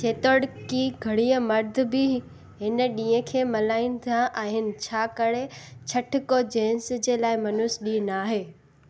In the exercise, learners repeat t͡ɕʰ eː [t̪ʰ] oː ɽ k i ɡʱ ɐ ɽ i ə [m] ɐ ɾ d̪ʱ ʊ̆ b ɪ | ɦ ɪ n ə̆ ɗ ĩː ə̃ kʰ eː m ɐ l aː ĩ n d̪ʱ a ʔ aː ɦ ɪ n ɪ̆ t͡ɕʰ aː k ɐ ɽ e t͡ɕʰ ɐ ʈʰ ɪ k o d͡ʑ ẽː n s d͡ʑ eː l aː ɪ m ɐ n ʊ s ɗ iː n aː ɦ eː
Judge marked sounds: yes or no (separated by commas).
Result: no, yes